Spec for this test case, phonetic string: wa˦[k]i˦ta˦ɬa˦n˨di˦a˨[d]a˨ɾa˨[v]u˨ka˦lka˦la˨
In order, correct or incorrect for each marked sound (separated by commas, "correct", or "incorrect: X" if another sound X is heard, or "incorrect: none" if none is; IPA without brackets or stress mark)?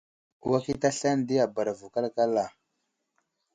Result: correct, incorrect: b, correct